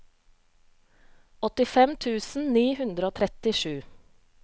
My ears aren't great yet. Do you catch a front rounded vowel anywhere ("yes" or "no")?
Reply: no